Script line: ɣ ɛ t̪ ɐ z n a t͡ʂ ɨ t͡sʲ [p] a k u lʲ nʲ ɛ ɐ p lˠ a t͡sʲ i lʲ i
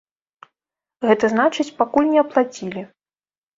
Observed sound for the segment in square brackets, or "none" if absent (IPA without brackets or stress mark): p